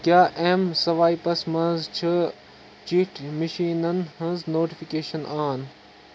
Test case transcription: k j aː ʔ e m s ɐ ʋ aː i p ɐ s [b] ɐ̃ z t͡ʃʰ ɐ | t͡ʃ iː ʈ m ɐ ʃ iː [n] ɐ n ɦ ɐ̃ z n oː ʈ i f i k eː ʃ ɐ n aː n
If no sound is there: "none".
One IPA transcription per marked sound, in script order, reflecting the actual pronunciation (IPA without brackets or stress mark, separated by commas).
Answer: m, n